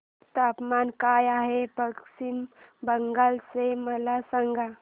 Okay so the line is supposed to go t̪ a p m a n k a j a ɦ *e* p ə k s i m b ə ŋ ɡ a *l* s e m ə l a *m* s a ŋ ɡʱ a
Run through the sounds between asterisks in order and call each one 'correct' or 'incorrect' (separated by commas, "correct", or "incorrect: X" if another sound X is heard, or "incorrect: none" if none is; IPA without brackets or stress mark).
correct, correct, incorrect: none